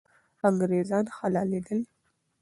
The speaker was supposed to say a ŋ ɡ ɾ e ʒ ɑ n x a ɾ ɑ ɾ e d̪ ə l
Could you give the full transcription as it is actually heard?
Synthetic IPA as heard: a ŋ ɡ ɾ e z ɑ n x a l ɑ l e d̪ ə l